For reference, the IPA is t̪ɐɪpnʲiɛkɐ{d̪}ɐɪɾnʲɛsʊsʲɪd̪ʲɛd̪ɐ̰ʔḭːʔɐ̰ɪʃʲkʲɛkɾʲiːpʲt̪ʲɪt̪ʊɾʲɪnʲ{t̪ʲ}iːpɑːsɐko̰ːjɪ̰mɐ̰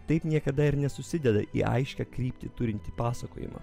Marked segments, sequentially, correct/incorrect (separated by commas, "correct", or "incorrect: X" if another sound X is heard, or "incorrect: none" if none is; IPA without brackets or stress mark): correct, correct